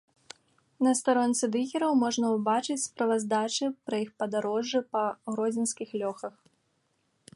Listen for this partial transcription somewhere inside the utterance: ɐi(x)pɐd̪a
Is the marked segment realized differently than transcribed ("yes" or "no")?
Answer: no